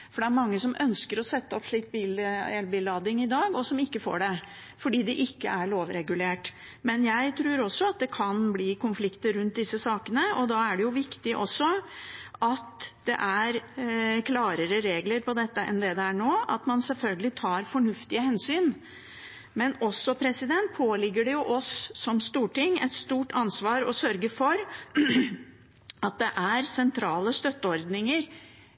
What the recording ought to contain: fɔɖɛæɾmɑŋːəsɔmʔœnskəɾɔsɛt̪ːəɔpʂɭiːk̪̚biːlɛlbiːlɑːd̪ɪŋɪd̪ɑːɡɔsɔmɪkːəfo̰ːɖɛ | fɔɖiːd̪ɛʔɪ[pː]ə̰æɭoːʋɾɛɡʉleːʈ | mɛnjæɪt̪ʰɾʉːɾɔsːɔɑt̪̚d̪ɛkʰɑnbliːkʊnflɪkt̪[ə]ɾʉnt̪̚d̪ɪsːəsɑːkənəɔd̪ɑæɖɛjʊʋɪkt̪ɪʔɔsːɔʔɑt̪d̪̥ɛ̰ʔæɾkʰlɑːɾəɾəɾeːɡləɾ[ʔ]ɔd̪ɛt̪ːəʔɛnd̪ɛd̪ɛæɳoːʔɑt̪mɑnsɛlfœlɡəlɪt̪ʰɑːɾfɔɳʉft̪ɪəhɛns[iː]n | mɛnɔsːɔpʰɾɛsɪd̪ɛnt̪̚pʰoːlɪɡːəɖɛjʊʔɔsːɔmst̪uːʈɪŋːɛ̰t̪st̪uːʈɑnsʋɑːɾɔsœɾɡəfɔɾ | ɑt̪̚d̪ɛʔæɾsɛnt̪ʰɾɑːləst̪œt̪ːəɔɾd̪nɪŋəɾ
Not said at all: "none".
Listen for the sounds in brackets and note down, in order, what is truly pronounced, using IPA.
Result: kː, ə, p, yː

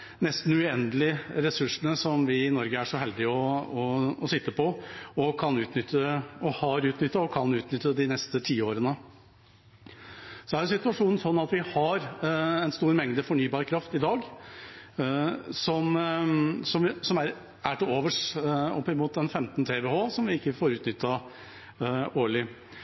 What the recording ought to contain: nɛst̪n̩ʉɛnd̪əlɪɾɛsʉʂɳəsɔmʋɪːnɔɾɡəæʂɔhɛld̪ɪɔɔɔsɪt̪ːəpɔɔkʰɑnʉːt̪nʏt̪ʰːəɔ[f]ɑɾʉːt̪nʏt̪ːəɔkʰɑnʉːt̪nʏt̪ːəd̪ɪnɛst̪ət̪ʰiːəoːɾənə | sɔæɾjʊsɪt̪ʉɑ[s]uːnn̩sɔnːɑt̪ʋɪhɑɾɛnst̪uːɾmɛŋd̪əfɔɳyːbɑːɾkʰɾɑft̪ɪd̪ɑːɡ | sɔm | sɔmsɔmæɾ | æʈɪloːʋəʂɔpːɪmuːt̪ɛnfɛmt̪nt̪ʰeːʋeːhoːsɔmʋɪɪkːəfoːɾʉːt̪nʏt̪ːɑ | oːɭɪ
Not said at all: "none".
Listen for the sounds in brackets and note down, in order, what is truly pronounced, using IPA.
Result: h, ʂ

